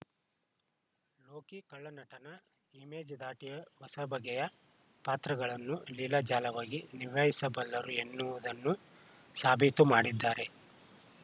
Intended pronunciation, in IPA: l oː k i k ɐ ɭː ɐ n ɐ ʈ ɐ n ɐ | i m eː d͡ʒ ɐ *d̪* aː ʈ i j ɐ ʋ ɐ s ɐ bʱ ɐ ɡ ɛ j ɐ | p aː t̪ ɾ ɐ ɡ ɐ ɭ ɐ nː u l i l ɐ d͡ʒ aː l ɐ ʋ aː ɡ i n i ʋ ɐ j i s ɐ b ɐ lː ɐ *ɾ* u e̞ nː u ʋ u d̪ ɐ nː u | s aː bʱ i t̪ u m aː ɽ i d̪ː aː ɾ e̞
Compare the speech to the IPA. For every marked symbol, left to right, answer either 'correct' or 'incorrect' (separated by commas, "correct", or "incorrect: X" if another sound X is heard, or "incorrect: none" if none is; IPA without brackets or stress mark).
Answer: correct, correct